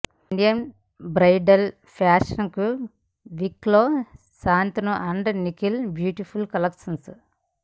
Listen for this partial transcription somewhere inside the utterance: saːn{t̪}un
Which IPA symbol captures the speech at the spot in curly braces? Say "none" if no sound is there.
t̪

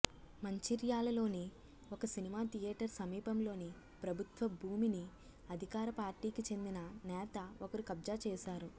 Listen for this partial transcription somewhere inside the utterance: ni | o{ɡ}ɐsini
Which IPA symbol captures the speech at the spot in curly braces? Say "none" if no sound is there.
k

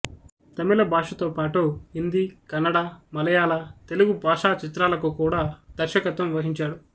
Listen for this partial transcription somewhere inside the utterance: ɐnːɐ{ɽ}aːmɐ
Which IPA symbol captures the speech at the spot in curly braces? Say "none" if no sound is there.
ɽ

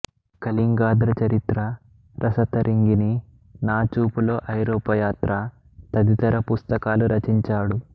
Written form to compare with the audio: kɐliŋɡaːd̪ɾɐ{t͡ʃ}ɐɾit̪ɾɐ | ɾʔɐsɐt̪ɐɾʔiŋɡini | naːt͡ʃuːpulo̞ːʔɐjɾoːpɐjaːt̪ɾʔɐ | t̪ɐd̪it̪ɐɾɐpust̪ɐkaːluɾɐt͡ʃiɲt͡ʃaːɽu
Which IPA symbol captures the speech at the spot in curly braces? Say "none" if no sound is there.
t͡ʃ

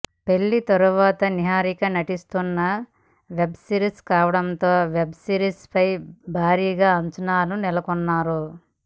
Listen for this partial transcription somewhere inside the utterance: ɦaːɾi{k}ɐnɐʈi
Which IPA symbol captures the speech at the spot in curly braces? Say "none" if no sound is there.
k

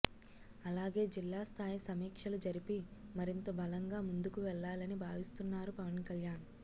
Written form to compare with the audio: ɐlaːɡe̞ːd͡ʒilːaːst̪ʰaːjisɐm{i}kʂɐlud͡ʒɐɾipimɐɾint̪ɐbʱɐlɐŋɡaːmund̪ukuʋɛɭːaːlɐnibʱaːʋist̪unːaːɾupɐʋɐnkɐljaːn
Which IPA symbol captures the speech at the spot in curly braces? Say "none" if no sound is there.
iː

